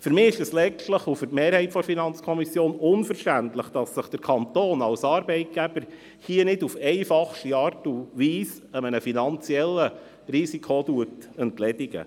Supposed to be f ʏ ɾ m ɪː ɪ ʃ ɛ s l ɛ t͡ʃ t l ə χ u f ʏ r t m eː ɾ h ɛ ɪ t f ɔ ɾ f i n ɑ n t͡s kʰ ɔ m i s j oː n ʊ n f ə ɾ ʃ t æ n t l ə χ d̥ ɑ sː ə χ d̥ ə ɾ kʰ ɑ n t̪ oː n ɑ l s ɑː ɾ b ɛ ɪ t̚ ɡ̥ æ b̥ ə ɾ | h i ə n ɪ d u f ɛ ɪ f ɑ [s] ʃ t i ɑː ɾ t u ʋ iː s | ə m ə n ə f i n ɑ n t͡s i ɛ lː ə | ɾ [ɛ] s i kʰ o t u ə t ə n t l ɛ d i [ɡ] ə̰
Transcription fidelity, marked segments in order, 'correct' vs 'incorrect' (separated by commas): incorrect, incorrect, correct